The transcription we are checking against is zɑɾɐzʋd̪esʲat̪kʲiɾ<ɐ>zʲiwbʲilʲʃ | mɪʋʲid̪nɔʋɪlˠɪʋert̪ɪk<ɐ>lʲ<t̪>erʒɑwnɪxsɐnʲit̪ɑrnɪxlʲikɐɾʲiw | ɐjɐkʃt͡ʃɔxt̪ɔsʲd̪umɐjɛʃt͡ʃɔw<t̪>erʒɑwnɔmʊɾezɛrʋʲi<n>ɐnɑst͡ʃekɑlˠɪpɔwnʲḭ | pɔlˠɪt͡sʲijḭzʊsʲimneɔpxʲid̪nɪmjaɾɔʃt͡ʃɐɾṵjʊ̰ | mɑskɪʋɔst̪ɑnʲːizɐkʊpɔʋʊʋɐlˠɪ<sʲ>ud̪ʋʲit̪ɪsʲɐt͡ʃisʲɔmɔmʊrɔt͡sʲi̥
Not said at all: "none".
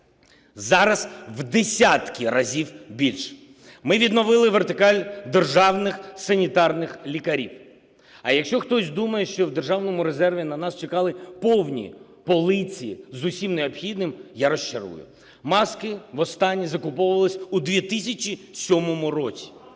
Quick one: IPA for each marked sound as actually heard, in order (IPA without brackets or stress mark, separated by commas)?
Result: ɐ, ɑ, d̪, d̪, n, sʲ